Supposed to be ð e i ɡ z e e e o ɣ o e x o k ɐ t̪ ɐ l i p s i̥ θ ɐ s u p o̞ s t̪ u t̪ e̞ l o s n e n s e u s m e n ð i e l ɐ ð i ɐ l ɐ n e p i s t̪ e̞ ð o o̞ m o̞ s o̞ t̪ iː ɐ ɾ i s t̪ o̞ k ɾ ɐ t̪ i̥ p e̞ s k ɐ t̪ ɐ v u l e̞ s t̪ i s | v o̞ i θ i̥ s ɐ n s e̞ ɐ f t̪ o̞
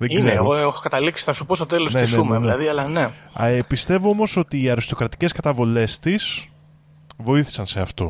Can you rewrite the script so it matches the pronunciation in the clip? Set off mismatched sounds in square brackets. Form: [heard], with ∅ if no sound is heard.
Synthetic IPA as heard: ð e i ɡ z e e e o ɣ o e x o k ɐ t̪ ɐ l i [k] s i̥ θ ɐ s u p o̞ s t̪ [o] t̪ e̞ l o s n e n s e u [∅] m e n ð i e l ɐ ð i ɐ l ɐ n e p i s t̪ e̞ [v] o o̞ m o̞ s o̞ t̪ iː ɐ ɾ i s t̪ o̞ k ɾ ɐ t̪ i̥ [c] e̞ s k ɐ t̪ ɐ v [o] l e̞ s t̪ i s | v o̞ i θ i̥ s ɐ n s e̞ ɐ f t̪ o̞